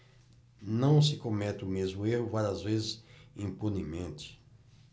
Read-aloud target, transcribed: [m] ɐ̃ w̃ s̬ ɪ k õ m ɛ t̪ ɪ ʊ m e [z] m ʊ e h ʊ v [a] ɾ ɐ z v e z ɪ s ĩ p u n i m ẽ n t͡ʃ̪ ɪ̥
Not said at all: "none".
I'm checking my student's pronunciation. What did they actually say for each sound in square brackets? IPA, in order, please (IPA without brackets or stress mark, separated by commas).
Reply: n, z, a